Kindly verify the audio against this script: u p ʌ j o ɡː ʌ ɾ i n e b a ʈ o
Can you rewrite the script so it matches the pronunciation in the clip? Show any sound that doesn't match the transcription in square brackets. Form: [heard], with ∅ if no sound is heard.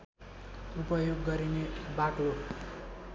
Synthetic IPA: u p ʌ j o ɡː ʌ ɾ i n e b a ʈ o